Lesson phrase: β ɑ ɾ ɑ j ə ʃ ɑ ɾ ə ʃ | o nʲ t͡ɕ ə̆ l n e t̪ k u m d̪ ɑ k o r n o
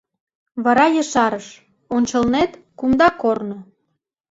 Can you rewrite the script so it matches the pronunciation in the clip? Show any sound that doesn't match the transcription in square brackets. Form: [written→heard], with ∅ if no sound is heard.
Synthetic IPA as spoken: β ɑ ɾ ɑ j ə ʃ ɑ ɾ ə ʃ | o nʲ t͡ɕ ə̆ l n e t̪ k u m d̪ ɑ k o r n o